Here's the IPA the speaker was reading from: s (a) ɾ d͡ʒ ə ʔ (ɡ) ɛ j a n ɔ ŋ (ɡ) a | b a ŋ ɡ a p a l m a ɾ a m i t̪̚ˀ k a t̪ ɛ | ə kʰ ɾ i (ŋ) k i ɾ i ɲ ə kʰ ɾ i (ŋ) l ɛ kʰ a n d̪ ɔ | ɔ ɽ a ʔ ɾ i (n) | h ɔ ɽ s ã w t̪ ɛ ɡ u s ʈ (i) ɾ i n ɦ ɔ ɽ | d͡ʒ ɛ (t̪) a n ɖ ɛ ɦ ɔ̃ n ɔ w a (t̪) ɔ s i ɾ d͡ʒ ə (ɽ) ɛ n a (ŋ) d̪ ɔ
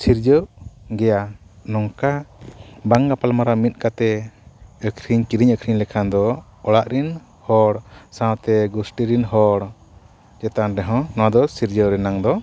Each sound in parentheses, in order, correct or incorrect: incorrect, correct, incorrect, incorrect, incorrect, correct, correct, correct, incorrect, incorrect, correct

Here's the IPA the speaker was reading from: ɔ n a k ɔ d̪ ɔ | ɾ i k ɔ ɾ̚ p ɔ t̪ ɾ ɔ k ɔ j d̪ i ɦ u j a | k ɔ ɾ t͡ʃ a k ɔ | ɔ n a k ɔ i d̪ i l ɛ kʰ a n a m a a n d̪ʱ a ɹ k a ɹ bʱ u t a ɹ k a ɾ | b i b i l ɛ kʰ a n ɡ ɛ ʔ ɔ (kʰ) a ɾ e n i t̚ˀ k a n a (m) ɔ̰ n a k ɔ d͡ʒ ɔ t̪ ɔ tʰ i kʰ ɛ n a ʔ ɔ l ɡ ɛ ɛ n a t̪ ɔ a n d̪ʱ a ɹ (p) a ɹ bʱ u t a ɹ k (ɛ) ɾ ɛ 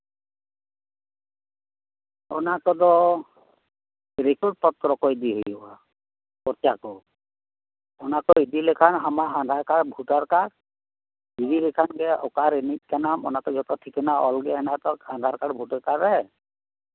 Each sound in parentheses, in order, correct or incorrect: incorrect, correct, incorrect, incorrect

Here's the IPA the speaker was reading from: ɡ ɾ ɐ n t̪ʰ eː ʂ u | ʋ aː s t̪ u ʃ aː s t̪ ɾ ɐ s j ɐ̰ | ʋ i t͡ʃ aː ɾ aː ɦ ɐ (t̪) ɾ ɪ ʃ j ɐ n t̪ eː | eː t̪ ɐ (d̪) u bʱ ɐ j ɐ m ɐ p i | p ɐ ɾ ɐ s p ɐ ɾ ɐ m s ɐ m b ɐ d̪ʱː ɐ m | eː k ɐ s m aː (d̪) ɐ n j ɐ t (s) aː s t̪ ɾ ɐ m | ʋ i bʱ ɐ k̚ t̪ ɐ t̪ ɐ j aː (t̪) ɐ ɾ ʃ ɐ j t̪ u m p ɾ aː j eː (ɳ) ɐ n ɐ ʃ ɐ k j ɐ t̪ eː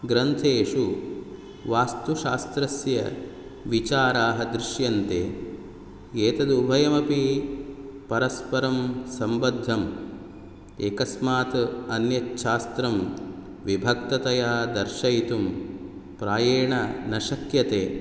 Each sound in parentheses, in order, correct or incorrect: incorrect, correct, incorrect, incorrect, incorrect, correct

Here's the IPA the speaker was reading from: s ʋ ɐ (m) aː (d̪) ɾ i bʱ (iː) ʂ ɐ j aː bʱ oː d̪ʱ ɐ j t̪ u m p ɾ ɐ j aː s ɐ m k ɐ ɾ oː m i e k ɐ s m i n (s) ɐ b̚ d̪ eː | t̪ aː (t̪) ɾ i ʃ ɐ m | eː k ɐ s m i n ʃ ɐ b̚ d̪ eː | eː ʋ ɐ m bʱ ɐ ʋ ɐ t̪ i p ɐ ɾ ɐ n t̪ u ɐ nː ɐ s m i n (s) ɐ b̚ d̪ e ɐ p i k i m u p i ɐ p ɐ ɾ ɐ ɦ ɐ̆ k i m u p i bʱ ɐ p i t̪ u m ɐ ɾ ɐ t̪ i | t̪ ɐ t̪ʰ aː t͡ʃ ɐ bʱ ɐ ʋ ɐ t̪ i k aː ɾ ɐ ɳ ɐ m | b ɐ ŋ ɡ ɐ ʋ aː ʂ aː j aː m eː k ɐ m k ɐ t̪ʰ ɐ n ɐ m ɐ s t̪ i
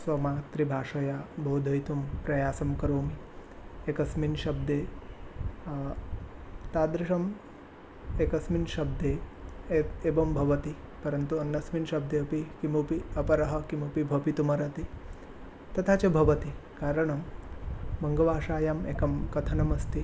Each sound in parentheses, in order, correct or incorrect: correct, incorrect, incorrect, incorrect, incorrect, incorrect

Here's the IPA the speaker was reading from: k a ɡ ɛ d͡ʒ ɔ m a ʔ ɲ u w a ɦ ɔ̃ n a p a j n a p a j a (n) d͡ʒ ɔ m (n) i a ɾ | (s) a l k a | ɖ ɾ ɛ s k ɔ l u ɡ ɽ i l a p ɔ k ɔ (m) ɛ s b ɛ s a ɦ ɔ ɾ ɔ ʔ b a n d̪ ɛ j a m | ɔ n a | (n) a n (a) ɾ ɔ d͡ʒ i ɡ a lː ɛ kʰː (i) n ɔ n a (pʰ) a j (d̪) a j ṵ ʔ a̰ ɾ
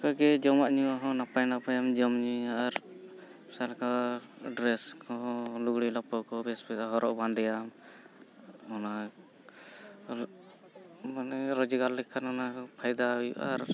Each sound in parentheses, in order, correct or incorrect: incorrect, incorrect, correct, incorrect, incorrect, incorrect, incorrect, correct, correct

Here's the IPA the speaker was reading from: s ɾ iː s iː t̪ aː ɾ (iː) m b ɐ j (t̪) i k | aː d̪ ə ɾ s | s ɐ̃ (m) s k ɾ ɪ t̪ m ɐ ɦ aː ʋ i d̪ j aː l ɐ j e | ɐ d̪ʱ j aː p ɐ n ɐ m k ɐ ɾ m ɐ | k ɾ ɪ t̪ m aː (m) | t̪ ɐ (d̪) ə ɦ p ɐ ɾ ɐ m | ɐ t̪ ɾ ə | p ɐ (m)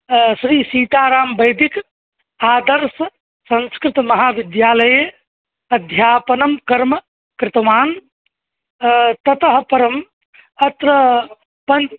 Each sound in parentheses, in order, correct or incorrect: incorrect, incorrect, incorrect, incorrect, incorrect, incorrect

